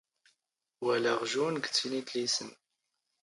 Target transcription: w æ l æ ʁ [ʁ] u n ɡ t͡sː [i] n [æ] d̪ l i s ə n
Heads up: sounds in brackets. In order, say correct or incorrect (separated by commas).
incorrect, correct, incorrect